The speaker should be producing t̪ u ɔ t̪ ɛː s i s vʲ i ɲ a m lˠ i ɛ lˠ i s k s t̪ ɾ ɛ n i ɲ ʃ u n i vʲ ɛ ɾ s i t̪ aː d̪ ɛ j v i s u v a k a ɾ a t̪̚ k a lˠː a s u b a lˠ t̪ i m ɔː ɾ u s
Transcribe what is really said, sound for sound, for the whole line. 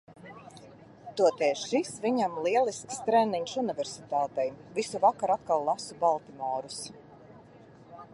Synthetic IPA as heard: t̪ u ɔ t̪ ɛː ʃ i s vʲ i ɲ a m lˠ i ɛ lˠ i s k s t̪ ɾ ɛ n i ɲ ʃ u n i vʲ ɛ ɾ s i t̪ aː t̪ ɛ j v i s u v a k a ɾ a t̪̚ k a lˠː a s u b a lˠ t̪ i m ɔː ɾ u s